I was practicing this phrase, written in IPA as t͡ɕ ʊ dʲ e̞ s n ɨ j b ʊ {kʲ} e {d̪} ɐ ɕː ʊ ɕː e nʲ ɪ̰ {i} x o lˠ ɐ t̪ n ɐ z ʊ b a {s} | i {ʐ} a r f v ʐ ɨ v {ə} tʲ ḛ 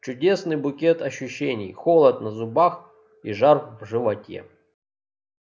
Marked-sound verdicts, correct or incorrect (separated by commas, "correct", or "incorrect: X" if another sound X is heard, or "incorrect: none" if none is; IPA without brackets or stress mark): correct, incorrect: t̪, incorrect: j, incorrect: x, correct, incorrect: ɐ